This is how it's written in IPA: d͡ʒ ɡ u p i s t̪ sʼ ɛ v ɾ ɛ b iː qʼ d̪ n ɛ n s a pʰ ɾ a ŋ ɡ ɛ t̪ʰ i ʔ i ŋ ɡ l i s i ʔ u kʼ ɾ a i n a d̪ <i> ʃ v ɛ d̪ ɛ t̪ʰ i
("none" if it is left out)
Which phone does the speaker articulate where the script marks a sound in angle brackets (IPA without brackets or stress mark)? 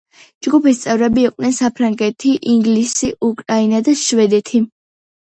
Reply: a